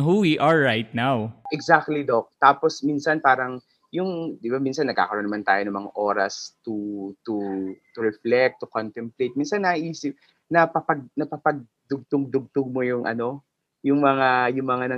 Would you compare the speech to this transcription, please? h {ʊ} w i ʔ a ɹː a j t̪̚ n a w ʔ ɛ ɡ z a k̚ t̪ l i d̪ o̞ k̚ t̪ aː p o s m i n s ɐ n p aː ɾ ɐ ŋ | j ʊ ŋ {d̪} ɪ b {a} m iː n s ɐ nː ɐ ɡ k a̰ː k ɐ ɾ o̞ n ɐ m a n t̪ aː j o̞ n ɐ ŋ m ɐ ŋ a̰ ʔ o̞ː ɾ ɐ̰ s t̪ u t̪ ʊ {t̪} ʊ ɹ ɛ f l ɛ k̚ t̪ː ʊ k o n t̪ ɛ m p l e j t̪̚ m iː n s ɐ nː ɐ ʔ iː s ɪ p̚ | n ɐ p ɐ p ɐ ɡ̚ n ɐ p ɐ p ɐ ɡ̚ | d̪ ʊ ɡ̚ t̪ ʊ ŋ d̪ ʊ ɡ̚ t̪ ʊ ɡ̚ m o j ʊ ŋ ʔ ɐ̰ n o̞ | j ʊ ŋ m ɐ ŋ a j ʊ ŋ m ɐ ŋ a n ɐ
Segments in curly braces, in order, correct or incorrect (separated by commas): incorrect, correct, correct, correct